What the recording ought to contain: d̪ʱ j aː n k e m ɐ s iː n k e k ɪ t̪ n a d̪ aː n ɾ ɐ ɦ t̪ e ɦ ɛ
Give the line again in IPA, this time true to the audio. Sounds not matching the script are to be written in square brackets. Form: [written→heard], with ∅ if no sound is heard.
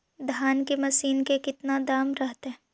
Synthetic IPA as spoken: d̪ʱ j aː n k e m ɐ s iː n k e k ɪ t̪ n a d̪ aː [n→m] ɾ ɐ ɦ t̪ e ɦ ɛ